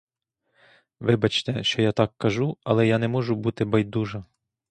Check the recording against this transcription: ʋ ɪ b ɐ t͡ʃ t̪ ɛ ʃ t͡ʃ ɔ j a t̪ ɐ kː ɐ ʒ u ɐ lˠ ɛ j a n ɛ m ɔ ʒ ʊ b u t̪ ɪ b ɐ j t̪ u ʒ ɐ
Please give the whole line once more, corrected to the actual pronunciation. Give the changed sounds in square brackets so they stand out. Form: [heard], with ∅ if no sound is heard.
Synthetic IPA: ʋ ɪ b ɐ t͡ʃ t̪ ɛ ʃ t͡ʃ ɔ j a t̪ [ɑ] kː ɐ ʒ u ɐ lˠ ɛ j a n ɛ m ɔ ʒ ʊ b u t̪ ɪ b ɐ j [d̪] u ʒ ɐ